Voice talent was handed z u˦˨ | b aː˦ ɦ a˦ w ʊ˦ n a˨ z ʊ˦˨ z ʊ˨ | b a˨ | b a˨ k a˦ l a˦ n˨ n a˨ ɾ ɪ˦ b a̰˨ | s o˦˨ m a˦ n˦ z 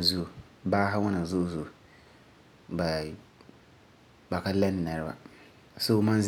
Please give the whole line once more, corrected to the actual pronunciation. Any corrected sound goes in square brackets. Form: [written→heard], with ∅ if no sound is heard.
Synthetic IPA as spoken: z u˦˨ | b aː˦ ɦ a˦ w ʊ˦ n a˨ z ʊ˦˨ z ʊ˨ | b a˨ | b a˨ k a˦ l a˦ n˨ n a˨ ɾ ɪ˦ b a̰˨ | s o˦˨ m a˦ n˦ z